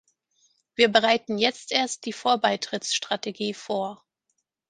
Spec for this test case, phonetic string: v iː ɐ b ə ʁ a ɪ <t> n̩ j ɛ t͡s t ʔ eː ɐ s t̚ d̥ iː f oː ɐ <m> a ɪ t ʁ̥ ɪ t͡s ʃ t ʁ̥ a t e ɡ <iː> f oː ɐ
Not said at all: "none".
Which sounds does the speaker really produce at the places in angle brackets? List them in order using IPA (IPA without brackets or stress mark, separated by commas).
t, b, iː